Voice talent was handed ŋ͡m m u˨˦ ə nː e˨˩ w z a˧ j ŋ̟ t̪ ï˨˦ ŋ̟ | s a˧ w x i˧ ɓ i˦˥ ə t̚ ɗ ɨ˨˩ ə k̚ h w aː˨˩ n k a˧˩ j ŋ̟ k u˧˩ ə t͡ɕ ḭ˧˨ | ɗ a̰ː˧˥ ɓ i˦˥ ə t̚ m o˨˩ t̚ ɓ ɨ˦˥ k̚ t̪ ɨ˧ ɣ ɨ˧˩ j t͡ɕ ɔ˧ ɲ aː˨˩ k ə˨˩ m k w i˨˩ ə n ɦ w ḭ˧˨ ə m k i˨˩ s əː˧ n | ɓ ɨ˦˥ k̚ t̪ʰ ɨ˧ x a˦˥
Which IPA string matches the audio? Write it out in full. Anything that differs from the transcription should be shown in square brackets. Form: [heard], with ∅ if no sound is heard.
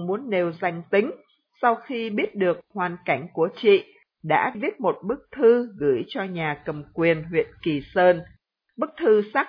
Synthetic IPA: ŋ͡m m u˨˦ ə nː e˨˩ w z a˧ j ŋ̟ t̪ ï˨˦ ŋ̟ | s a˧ w x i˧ ɓ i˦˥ ə t̚ ɗ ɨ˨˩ ə k̚ h w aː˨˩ n k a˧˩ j ŋ̟ k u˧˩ ə t͡ɕ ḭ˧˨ | ɗ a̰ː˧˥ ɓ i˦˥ ə t̚ m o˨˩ t̚ ɓ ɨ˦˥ k̚ [t̪ʰ] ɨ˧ ɣ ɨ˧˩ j t͡ɕ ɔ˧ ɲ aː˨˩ k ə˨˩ m k w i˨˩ ə n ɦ w ḭ˧˨ ə [n] k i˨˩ s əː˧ n | ɓ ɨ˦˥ k̚ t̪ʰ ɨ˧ [s] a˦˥